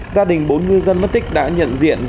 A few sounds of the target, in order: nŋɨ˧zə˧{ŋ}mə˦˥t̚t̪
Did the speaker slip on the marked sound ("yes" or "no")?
yes